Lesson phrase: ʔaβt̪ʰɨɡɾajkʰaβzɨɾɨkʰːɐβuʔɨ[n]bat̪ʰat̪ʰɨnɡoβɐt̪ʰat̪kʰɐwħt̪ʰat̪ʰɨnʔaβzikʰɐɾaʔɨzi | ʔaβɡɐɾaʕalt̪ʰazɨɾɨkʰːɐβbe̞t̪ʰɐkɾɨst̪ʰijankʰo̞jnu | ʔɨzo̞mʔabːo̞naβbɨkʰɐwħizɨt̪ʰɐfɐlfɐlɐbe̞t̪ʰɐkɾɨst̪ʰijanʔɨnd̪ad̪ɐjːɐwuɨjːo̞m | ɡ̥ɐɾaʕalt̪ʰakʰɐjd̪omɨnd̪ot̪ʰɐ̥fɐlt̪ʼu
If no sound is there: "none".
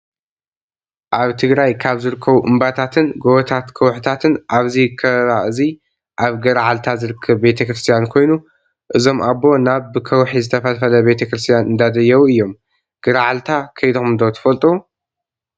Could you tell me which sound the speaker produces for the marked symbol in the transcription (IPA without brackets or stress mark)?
m